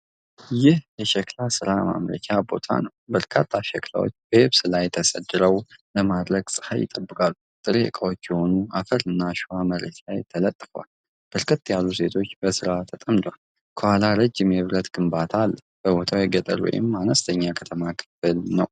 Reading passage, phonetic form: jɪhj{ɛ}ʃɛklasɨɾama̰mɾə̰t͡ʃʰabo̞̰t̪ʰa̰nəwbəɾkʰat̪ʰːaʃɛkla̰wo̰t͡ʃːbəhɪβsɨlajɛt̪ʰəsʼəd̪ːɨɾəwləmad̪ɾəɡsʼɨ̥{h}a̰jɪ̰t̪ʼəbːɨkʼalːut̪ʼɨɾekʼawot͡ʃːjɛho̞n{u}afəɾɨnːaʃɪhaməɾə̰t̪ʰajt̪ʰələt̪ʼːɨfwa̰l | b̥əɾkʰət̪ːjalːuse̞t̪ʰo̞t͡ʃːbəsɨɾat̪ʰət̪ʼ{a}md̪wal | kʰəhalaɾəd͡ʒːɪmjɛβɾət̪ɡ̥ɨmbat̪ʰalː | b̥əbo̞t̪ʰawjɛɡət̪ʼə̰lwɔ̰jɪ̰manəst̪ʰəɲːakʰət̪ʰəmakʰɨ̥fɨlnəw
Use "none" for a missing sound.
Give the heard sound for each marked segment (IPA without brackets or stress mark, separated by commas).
ɛ, h, u, ə